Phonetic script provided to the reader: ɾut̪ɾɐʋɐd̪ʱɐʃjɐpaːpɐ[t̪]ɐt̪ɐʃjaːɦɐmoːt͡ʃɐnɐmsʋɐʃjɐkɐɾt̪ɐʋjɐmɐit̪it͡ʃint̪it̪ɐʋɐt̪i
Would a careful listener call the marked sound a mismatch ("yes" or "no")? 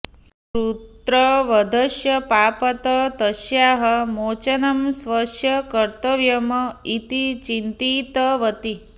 no